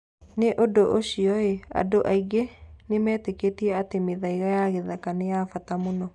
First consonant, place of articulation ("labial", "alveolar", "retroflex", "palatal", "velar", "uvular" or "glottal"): alveolar